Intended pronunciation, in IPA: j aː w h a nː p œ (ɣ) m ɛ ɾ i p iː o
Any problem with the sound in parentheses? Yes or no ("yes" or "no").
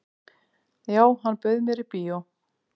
yes